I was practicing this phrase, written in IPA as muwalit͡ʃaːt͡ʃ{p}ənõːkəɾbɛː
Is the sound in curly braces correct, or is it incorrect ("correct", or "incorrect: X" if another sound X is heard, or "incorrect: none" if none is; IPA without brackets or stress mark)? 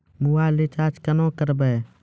incorrect: k